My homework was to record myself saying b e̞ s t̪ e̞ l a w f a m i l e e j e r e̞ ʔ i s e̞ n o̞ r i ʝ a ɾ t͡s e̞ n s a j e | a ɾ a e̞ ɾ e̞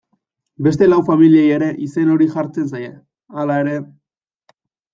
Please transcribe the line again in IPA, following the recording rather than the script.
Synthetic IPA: b e̞ s t̪ e̞ l a w f a m i l i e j e ɾ e̞ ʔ i s e̞ n o̞ ɾ i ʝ a ɾ t͡s e̞ n s a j e | a l a e̞ ɾ e̞